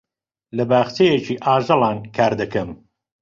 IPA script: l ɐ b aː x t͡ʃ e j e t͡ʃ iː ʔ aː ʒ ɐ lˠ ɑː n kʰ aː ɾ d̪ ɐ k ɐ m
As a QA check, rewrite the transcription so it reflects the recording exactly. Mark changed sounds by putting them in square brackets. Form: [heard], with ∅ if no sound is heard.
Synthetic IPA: l ɐ b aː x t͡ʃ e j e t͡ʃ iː ʔ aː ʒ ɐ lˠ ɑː n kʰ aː ɾ d̪ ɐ k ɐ m